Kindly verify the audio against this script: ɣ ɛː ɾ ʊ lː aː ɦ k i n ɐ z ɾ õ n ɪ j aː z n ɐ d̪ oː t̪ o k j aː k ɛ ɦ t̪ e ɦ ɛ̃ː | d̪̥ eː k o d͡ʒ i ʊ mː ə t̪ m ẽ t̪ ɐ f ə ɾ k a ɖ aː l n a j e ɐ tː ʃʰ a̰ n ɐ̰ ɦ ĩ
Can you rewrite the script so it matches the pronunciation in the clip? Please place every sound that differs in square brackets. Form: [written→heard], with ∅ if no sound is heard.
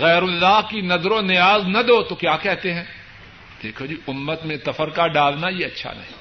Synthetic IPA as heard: ɣ ɛː ɾ ʊ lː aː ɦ k i n ɐ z ɾ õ n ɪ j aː z n ɐ d̪ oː t̪ o k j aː k ɛ ɦ t̪ e ɦ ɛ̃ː | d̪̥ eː [k→kʰ] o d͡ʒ i ʊ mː ə t̪ m ẽ t̪ ɐ f ə ɾ k a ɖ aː l n a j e ɐ tː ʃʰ a̰ n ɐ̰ ɦ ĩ